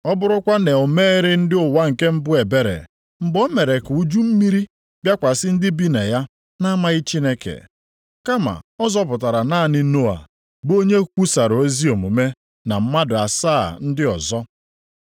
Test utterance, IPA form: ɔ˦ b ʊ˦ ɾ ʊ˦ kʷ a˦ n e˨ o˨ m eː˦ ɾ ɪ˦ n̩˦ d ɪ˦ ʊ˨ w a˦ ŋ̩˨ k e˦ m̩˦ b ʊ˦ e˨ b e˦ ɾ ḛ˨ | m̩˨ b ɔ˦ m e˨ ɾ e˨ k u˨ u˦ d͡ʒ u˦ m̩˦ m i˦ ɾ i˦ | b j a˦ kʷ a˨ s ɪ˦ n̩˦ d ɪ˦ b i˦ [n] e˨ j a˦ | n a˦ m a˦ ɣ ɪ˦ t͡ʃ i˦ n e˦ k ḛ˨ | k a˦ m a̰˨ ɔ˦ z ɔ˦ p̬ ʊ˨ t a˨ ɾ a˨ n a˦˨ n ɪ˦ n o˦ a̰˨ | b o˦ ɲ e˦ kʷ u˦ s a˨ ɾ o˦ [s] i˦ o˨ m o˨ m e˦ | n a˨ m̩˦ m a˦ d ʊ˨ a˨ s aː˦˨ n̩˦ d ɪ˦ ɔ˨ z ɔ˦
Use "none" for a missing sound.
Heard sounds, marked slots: n, z

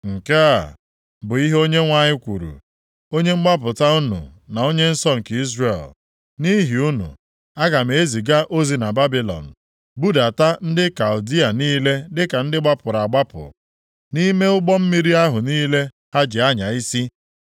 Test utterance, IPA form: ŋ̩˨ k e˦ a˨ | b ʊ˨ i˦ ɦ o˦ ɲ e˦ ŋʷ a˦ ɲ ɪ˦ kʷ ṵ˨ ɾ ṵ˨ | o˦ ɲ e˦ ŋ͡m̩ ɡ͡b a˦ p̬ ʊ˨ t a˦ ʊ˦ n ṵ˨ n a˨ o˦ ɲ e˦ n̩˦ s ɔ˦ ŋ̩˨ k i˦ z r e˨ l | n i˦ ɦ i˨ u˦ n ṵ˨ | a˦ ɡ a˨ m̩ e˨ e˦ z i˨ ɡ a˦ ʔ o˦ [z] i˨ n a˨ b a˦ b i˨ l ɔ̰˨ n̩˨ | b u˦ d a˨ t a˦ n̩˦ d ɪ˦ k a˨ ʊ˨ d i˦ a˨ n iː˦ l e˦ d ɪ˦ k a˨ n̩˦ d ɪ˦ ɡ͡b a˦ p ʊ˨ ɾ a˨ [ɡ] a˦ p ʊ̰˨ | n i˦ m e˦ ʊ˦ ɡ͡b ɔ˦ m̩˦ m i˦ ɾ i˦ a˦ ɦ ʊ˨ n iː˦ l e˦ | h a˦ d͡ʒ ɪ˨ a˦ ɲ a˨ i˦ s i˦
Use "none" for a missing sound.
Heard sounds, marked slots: z, ɡ͡b

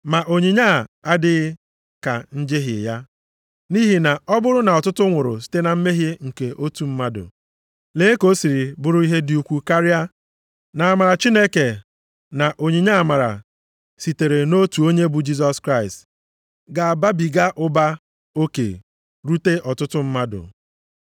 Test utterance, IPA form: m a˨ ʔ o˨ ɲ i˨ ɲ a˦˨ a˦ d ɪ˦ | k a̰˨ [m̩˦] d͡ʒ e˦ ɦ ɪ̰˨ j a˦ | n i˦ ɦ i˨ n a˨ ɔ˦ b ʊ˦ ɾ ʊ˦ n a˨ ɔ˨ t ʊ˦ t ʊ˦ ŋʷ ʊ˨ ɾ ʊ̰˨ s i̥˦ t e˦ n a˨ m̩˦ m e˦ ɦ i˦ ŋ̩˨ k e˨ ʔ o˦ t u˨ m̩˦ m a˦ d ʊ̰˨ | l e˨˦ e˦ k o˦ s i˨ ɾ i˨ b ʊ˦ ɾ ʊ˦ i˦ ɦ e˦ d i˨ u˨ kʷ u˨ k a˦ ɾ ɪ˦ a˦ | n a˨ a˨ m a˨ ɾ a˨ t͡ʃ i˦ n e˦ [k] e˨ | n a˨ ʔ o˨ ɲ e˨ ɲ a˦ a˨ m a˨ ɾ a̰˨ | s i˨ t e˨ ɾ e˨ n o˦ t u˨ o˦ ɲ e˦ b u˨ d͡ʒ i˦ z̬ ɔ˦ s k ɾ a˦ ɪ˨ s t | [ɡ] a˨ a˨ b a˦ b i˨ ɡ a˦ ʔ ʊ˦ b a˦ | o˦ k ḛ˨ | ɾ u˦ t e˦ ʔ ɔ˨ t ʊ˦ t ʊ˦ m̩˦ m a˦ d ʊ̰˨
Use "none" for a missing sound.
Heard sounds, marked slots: n̩˦, k, ɡ

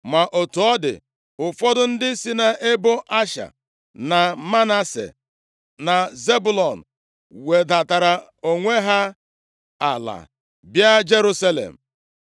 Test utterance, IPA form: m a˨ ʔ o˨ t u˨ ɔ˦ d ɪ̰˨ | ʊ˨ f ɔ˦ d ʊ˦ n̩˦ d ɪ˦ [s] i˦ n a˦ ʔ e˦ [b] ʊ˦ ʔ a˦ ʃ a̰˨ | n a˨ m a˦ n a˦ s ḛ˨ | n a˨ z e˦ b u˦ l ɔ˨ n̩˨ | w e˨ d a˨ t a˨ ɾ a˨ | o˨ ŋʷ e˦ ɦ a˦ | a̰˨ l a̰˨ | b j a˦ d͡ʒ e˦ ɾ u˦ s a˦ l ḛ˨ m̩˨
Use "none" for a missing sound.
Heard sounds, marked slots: s, b

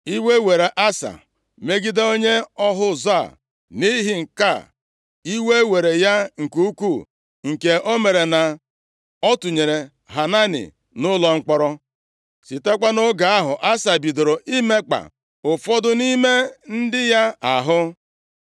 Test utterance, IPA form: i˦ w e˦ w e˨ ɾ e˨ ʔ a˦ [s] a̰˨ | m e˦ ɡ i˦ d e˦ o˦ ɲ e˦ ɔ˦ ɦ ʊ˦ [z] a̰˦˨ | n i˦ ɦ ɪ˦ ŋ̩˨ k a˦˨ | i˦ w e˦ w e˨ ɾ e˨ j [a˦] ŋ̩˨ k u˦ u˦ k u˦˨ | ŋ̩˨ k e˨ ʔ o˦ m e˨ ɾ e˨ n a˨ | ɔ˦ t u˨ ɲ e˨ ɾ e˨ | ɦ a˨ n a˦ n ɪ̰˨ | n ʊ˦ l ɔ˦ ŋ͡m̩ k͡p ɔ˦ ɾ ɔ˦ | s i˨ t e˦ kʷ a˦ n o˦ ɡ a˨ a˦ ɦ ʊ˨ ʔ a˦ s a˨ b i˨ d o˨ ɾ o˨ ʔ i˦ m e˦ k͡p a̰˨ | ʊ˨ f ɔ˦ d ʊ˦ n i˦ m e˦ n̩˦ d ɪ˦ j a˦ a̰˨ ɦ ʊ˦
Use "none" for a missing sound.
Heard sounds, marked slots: s, z, a˦

